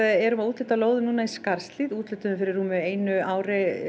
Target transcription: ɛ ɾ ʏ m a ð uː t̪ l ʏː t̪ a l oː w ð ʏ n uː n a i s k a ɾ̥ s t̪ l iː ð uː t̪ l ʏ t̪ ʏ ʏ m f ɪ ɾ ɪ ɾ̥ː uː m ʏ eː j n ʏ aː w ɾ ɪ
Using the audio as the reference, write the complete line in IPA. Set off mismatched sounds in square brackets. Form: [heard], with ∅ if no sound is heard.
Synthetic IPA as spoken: ɛ ɾ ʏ m a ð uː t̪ l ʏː t̪ a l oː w ð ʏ n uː n a i s k a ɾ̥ s t̪ l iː ð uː t̪ l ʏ t̪ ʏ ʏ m f ɪ ɾ ɪ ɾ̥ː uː m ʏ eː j n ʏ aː w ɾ ɪ